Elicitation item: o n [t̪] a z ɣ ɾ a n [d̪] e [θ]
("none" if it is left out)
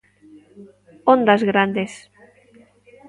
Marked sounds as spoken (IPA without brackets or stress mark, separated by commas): d̪, d̪, s